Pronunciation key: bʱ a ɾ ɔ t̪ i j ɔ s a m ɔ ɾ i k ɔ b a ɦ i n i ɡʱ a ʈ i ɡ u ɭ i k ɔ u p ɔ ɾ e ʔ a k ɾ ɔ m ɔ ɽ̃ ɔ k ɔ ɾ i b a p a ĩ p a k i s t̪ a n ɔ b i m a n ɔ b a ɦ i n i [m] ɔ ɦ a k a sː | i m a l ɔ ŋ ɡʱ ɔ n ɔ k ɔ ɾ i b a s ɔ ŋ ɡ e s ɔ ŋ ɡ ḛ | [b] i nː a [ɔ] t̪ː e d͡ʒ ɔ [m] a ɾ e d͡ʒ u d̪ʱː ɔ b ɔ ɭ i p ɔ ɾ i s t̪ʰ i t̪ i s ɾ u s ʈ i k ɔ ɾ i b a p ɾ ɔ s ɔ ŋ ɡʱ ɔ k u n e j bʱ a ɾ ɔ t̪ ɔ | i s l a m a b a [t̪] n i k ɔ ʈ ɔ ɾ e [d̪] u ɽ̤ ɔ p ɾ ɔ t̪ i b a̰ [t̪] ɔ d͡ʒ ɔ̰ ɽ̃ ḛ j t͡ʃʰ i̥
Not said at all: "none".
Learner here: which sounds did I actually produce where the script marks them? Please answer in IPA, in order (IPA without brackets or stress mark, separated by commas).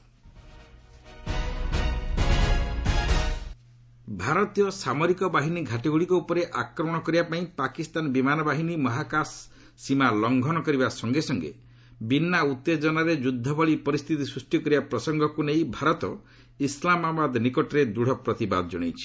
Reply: m, b, u, n, d̪, d̪, d̪